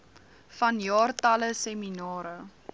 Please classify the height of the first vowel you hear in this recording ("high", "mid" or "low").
low